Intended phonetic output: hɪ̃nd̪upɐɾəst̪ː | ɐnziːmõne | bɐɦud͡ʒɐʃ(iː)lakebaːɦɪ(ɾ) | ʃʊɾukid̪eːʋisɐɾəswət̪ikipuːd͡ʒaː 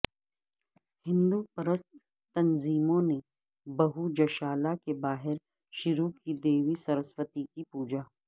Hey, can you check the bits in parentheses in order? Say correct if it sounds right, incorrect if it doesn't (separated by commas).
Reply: incorrect, correct